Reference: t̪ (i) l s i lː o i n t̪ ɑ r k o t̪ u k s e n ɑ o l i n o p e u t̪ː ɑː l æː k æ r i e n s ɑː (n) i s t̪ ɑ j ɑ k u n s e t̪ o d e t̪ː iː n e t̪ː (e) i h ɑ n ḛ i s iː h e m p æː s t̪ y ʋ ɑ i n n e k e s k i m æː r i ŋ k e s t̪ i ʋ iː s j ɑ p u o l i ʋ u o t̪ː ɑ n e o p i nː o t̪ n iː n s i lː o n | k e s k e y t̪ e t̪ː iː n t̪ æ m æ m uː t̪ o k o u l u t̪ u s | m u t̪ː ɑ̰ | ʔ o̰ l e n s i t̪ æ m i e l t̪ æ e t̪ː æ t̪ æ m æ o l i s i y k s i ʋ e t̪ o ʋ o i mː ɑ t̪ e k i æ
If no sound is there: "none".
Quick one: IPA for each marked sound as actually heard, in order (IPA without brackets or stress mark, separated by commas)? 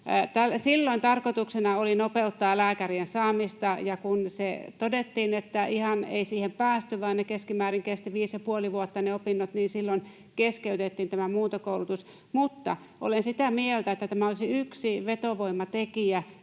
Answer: æ, m, æ